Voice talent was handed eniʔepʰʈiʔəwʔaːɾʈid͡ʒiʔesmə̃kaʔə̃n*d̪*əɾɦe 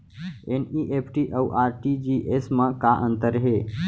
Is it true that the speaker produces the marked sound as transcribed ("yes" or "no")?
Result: no